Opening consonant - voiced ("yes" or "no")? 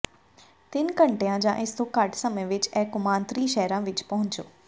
no